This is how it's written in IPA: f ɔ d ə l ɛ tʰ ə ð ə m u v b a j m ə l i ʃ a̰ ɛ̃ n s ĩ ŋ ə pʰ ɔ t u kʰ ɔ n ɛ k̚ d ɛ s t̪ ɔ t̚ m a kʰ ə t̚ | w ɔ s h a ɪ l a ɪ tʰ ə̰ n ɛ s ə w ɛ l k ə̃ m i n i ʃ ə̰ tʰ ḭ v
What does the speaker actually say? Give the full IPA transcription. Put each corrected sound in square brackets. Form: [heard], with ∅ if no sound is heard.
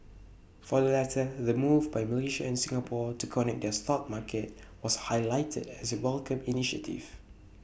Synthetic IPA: f ɔ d ə l ɛ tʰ ə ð ə m u v b a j m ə l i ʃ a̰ ɛ̃ n s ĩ ŋ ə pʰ ɔ t u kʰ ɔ n ɛ k̚ d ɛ s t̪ ɔ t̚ m a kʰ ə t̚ | w ɔ s h a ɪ l a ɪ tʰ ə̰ [d] ɛ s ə w ɛ l k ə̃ m i n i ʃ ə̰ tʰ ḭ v